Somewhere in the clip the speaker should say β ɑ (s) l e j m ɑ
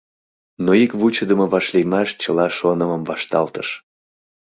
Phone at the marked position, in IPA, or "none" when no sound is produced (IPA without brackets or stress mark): ʃ